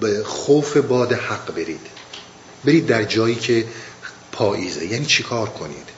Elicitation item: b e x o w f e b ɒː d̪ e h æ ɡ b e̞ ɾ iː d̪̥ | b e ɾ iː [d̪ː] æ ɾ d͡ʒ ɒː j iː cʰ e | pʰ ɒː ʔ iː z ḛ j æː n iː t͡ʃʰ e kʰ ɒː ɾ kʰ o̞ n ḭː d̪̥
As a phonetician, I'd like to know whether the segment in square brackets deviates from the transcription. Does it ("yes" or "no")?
no